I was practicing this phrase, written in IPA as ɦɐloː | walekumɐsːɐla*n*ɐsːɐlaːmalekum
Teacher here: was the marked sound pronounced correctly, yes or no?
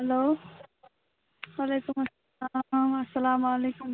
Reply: no